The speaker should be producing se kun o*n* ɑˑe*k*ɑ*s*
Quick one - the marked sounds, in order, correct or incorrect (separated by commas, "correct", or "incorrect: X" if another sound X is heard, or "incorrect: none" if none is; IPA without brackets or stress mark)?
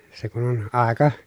correct, correct, incorrect: none